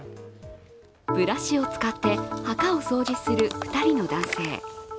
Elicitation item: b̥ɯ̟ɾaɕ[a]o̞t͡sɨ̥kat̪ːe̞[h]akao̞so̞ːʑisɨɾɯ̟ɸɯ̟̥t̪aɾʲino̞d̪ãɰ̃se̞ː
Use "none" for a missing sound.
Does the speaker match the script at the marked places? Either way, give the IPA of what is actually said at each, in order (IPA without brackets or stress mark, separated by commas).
i, h